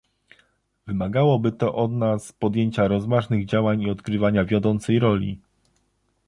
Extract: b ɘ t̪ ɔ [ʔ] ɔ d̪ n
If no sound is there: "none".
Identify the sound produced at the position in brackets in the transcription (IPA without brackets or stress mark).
ʔ